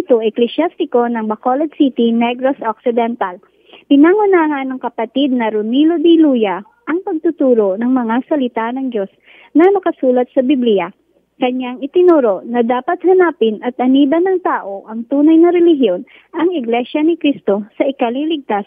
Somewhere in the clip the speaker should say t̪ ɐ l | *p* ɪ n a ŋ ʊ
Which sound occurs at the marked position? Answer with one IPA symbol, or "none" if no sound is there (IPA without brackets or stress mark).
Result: p